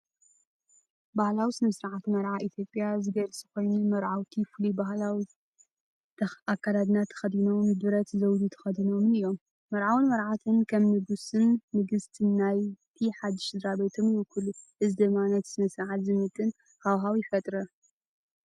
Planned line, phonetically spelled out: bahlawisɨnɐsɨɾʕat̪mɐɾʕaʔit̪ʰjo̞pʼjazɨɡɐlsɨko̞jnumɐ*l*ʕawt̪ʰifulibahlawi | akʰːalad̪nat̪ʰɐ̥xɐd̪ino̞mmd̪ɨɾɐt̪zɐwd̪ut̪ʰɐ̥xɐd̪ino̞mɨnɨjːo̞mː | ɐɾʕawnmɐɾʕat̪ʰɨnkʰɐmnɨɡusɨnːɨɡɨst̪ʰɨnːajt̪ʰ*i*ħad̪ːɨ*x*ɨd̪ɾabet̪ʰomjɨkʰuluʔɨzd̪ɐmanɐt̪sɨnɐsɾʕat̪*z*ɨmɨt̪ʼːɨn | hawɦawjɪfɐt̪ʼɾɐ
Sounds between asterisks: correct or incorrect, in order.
incorrect: ɾ, correct, incorrect: ʃ, correct

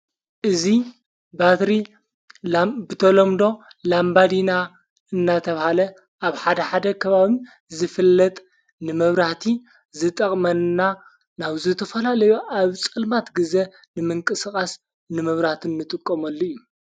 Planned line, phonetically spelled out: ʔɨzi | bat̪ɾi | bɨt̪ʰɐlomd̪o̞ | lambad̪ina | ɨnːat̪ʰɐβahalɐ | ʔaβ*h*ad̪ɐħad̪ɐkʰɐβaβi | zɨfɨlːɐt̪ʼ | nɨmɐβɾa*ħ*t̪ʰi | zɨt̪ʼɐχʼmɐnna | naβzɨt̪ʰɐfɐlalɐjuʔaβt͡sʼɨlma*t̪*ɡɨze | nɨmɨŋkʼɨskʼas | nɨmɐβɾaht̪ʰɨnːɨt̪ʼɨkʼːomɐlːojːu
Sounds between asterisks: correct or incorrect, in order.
incorrect: ħ, incorrect: h, correct

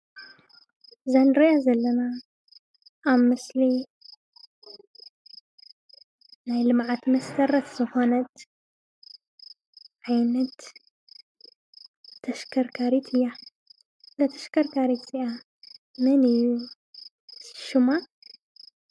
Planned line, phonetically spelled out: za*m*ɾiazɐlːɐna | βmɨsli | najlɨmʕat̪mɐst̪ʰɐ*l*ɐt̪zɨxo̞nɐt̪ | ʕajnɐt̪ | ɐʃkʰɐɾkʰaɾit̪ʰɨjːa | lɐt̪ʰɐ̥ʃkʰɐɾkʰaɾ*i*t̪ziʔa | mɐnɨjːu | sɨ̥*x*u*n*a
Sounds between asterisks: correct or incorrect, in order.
incorrect: n, incorrect: ɾ, correct, incorrect: ʃ, incorrect: m

